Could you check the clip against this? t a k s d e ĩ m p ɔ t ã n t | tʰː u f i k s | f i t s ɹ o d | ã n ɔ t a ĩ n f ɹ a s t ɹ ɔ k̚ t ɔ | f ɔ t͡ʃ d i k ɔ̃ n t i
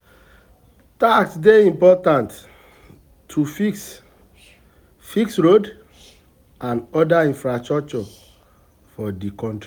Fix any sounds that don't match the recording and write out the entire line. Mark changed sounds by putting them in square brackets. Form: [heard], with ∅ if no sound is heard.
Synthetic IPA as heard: t a k s d e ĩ m p ɔ t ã n t | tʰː u f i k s | f i [k] s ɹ o d | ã n ɔ [d] a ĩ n f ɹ a s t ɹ ɔ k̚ [t͡ʃ] ɔ | f ɔ [∅] d i k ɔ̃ n t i